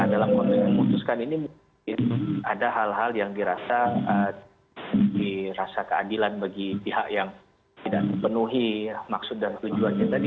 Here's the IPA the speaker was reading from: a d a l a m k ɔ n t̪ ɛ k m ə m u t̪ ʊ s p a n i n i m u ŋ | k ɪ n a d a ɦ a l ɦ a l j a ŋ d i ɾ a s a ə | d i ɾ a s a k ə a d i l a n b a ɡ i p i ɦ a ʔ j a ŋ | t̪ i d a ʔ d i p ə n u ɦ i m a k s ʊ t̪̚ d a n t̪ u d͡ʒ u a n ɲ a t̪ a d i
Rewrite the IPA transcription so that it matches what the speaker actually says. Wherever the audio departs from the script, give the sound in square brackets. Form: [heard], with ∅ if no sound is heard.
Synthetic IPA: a d a l a m k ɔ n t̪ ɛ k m ə m u t̪ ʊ s [k] a n i n i m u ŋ | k ɪ n a d a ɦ a l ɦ a l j a ŋ d i ɾ a s a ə | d i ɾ a s a k ə a d i l a n b a ɡ i p i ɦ a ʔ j a ŋ | t̪ i d a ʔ d i p ə n u ɦ i m a k s ʊ t̪̚ d a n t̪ u d͡ʒ u a n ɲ a t̪ a d i